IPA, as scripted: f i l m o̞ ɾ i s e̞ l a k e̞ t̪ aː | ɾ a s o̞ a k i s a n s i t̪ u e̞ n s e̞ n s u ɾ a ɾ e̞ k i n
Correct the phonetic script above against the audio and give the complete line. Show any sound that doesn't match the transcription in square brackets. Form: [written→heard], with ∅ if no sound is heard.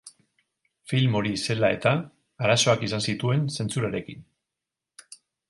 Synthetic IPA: f i l m o̞ ɾ i s e̞ l a [k→∅] e̞ t̪ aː | ɾ a s o̞ a k i s a n s i t̪ u e̞ n s e̞ n [s→t͡s] u ɾ a ɾ e̞ k i n

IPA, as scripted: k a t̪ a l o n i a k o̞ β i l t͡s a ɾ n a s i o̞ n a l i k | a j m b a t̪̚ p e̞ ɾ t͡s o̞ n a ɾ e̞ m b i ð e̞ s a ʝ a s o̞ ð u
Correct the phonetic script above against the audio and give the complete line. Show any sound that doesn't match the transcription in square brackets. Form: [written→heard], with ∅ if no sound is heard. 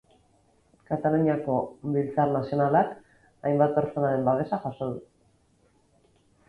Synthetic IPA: k a t̪ a l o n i a k o̞ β i l t͡s a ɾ n a s i o̞ n a l [i→a] k | a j m b a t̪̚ p e̞ ɾ t͡s o̞ n a ɾ e̞ m b [i→a] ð e̞ s a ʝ a s o̞ ð u

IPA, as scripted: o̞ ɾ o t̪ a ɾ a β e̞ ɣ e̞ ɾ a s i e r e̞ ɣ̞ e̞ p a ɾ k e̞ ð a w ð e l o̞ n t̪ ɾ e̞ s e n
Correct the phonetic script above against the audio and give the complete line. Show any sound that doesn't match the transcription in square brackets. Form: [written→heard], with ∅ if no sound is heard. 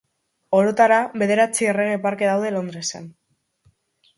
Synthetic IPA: o̞ ɾ o t̪ a ɾ a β e̞ [ɣ→ð] e̞ ɾ a [s→t͡s] i e r e̞ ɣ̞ e̞ p a ɾ k e̞ ð a w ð e l o̞ n [t̪→d̪] ɾ e̞ s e n

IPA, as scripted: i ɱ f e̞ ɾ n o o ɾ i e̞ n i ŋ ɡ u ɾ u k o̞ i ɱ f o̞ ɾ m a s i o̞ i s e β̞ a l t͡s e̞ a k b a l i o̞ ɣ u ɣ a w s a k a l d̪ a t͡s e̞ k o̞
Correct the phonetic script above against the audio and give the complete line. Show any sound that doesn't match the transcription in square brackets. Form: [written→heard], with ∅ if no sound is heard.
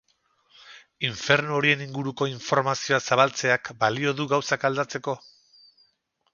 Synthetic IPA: i ɱ f e̞ ɾ n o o ɾ i e̞ n i ŋ ɡ u ɾ u k o̞ i ɱ f o̞ ɾ m a s i o̞ [i→a] s [e→a] β̞ a l t͡s e̞ a k b a l i o̞ [ɣ→ð] u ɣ a w s a k a l d̪ a t͡s e̞ k o̞

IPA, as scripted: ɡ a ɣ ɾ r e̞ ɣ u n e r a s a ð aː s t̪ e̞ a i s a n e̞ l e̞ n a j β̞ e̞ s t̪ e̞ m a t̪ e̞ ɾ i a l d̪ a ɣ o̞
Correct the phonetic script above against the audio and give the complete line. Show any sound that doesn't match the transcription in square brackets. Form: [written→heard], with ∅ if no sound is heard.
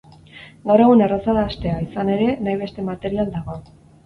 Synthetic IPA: ɡ a [ɣ→w] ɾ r e̞ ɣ u n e r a s a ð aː s t̪ e̞ a i s a n e̞ [l→ɾ] e̞ n a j β̞ e̞ s t̪ e̞ m a t̪ e̞ ɾ i a l d̪ a ɣ o̞

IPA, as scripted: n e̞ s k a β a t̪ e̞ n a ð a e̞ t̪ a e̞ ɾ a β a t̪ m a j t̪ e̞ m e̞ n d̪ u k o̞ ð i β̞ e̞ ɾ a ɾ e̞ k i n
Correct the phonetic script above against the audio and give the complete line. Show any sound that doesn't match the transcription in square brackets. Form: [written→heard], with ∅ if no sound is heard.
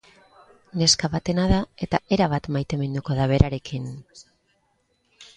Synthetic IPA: n e̞ s k a β a t̪ e̞ n a ð a e̞ t̪ a e̞ ɾ a β a t̪ m a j t̪ e̞ m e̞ n d̪ u k o̞ ð [i→a] β̞ e̞ ɾ a ɾ e̞ k i n

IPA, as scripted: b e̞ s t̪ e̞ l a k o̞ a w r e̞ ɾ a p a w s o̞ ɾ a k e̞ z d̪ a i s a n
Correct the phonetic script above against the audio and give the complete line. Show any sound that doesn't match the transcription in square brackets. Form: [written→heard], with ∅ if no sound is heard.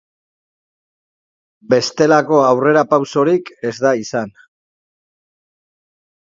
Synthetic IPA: b e̞ s t̪ e̞ l a k o̞ a w r e̞ ɾ a p a w s o̞ ɾ [a→i] k e̞ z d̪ a i s a n

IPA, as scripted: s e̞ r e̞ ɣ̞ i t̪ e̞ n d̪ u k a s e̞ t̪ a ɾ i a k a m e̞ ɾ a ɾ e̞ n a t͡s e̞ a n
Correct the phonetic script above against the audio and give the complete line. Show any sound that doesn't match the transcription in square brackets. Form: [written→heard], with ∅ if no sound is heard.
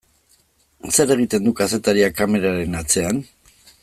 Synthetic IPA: s e̞ [r→ɾ] e̞ ɣ̞ i t̪ e̞ n d̪ u k a s e̞ t̪ a ɾ i a k a m e̞ ɾ a ɾ e̞ n a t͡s e̞ a n

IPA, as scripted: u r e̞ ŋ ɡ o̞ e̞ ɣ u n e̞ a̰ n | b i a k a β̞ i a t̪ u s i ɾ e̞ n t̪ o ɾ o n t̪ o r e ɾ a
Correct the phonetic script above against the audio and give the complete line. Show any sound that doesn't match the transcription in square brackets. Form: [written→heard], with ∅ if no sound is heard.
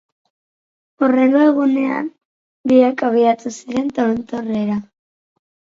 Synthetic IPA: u r e̞ ŋ ɡ o̞ e̞ ɣ u n e̞ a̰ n | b i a k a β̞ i a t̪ u s i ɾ e̞ n t̪ o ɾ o n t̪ o r e ɾ a

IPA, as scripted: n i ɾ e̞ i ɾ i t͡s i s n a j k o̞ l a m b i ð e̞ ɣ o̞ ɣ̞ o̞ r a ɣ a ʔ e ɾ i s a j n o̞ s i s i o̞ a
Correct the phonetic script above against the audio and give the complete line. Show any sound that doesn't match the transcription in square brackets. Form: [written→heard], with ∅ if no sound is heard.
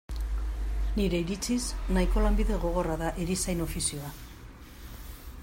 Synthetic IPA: n i ɾ e̞ i ɾ i t͡s i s n a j k o̞ l a m b i ð e̞ ɣ o̞ ɣ̞ o̞ r a [ɣ→ð] a ʔ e ɾ i s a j n o̞ [s→f] i s i o̞ a

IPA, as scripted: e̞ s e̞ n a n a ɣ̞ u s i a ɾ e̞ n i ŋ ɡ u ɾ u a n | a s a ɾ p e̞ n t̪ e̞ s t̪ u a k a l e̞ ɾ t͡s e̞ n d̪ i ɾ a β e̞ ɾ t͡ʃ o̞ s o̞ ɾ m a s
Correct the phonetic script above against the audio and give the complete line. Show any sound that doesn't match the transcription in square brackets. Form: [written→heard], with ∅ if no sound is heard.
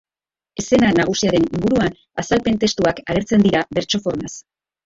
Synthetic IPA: e̞ s e̞ n a n a ɣ̞ u s i a ɾ e̞ n i ŋ ɡ u ɾ u a n | a s a [ɾ→l] p e̞ n t̪ e̞ s t̪ u a k a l e̞ ɾ t͡s e̞ n d̪ i ɾ a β e̞ ɾ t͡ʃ o̞ [s→f] o̞ ɾ m a s

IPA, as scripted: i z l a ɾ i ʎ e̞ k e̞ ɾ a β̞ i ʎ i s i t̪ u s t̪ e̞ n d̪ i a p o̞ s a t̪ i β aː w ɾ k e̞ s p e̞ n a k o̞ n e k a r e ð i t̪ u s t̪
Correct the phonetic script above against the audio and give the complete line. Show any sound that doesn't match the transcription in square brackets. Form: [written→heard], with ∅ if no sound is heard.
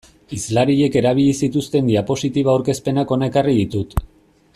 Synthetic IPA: i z l a ɾ i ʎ e̞ k e̞ ɾ a β̞ i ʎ i s i t̪ u s t̪ e̞ n d̪ i a p o̞ s [a→i] t̪ i β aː w ɾ k e̞ s p e̞ n a k o̞ n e k a r [e→i] ð i t̪ u [s→∅] t̪

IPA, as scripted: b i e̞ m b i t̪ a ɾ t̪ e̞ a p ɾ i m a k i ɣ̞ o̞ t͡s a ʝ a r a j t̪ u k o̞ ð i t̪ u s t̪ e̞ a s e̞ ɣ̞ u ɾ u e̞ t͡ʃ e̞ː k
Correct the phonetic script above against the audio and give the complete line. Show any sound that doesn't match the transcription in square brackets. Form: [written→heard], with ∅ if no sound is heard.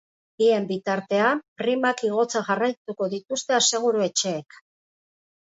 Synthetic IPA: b i e̞ m b i t̪ a ɾ t̪ e̞ a p ɾ i m a k i ɣ̞ o̞ t͡s a ʝ a r a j t̪ u k o̞ ð i t̪ u s t̪ e̞ a s e̞ ɣ̞ u ɾ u e̞ t͡ʃ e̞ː k

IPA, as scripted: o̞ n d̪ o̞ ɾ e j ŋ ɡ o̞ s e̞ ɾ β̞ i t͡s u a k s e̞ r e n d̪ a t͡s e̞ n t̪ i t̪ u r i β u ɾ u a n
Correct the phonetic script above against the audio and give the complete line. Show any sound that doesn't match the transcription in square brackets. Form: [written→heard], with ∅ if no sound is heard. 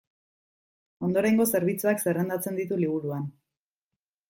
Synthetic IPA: o̞ n d̪ o̞ ɾ e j ŋ ɡ o̞ s e̞ ɾ β̞ i t͡s u a k s e̞ r e n d̪ a t͡s e̞ n [t̪→d̪] i t̪ u [r→l] i β u ɾ u a n

